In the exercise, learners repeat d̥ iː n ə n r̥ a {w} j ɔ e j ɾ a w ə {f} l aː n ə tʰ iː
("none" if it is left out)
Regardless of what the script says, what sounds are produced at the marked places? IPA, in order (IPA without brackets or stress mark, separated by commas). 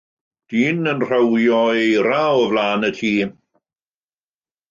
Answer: w, v